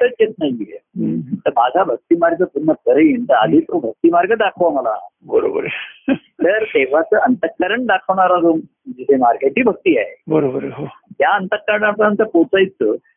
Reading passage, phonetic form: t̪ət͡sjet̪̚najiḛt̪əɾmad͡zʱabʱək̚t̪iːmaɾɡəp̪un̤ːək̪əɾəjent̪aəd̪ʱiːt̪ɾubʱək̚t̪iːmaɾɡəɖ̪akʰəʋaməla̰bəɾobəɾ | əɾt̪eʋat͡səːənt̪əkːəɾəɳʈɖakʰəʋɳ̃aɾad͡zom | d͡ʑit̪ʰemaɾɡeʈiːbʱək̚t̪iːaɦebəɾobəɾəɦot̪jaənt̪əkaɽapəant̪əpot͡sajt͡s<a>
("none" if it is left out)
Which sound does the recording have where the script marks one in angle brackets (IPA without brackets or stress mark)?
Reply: ə